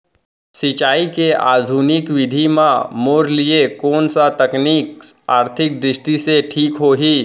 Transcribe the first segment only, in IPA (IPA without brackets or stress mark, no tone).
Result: s